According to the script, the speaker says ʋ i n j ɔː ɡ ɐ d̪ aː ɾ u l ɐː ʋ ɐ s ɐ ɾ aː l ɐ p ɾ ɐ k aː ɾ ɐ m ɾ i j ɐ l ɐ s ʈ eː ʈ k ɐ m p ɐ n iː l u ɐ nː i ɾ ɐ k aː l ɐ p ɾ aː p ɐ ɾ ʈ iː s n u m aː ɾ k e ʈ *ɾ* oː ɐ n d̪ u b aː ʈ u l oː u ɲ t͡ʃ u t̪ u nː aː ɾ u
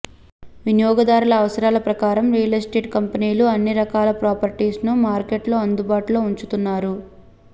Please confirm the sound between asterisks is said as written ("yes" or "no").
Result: no